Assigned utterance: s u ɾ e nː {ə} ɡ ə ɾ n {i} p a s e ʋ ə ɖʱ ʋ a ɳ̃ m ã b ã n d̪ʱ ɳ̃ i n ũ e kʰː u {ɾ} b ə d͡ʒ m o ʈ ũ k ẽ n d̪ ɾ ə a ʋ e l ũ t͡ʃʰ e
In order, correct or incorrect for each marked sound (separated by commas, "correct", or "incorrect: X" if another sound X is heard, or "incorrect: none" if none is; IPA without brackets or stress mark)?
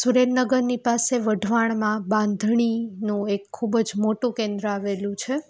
correct, correct, incorrect: none